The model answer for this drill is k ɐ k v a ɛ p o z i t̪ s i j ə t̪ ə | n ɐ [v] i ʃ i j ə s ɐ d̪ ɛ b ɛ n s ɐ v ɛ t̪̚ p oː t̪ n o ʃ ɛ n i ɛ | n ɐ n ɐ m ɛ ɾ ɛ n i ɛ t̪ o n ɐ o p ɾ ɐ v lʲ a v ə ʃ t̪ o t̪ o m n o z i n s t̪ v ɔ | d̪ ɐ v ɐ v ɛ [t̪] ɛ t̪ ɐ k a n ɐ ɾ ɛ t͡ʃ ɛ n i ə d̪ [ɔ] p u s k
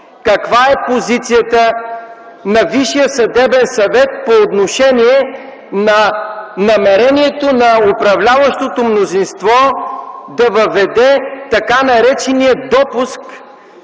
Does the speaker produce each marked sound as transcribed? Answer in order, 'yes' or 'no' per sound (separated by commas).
yes, no, yes